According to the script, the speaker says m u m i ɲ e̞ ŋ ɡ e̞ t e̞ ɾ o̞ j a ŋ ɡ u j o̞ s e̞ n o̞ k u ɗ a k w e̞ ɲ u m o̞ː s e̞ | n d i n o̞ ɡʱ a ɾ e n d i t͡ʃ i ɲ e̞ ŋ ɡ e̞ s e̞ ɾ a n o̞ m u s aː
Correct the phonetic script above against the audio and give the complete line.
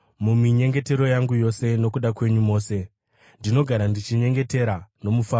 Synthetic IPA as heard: m u m i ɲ e̞ ŋ ɡ e̞ t e̞ ɾ o̞ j a ŋ ɡ u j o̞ s e̞ n o̞ k u ɗ a k w e̞ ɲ u m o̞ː s e̞ | n d i n o̞ ɡʱ a ɾ a n d i t͡ʃ i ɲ e̞ ŋ ɡ e̞ t e̞ ɾ a n o̞ m u f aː